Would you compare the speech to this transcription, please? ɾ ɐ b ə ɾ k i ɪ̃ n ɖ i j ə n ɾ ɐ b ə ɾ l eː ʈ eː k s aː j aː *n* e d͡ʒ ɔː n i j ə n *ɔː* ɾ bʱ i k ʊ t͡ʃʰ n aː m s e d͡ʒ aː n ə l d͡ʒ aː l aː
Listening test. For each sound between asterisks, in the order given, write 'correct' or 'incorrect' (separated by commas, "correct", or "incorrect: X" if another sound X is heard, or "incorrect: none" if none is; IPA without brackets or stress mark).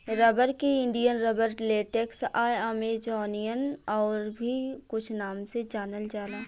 incorrect: m, correct